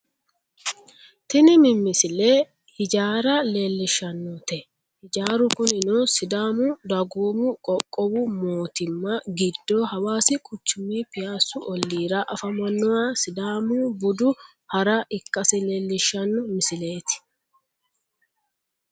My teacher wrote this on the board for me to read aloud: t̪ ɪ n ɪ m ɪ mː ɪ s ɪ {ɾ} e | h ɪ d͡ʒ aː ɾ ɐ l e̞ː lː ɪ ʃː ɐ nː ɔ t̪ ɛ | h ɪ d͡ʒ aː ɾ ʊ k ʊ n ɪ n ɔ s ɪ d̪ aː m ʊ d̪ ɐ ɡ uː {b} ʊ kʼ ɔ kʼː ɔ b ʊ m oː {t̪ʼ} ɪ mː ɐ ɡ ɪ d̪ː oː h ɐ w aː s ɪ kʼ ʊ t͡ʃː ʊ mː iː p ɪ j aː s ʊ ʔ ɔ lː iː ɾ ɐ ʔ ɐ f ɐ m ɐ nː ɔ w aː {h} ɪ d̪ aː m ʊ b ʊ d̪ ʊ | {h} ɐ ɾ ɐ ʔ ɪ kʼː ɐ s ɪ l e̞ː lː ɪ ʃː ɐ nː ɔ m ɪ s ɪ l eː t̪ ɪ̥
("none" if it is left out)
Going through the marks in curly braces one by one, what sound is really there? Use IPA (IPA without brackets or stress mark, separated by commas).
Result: l, m, t̪, s, h